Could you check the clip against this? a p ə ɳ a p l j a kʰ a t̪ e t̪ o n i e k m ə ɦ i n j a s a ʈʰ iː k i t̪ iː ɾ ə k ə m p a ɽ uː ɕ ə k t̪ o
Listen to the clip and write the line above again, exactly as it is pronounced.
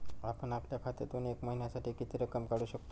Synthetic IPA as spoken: a p ə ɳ a p l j a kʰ a t̪ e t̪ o n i e k m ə ɦ i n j a s a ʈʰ iː k i t̪ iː ɾ ə k ə m k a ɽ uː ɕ ə k t̪ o